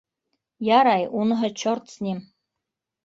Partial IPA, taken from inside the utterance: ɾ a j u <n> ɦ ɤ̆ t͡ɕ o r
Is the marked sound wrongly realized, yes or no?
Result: no